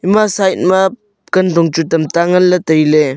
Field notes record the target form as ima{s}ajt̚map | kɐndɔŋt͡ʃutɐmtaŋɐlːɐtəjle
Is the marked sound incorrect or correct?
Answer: correct